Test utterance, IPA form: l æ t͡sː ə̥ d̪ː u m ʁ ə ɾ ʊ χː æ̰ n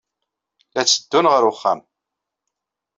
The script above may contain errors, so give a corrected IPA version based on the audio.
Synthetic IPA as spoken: l æ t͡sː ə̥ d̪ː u n ʁ ə ɾ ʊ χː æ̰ m